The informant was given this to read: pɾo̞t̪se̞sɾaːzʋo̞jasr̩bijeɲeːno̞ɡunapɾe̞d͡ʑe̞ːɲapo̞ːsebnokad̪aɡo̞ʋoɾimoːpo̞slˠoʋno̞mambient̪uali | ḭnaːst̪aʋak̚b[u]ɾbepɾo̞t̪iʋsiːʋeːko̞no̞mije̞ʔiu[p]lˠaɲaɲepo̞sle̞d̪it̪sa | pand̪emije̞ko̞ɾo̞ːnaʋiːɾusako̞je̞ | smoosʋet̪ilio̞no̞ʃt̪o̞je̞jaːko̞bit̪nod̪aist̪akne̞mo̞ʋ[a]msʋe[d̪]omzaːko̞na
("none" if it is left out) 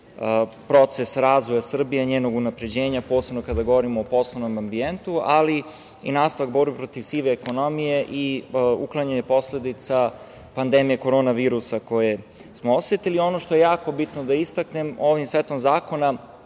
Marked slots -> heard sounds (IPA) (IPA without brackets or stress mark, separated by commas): o, k, i, t̪